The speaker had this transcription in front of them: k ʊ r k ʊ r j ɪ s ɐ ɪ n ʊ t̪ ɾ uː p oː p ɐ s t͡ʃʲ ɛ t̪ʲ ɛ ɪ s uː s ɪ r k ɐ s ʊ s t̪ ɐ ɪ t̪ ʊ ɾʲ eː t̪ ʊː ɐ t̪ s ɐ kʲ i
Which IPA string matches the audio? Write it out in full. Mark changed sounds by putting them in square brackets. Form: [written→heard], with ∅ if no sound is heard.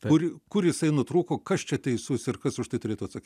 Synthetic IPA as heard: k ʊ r k ʊ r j ɪ s ɐ ɪ n ʊ t̪ ɾ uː [p→k] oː [p→k] ɐ s t͡ʃʲ ɛ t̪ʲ ɛ ɪ s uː s ɪ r k ɐ s ʊ [s→ʃ] t̪ ɐ ɪ t̪ ʊ ɾʲ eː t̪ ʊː ɐ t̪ s ɐ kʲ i